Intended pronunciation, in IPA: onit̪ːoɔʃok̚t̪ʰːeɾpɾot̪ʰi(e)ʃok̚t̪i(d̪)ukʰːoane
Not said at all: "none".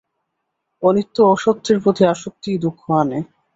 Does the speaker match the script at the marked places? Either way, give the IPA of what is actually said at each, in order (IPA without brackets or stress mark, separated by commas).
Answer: a, d̪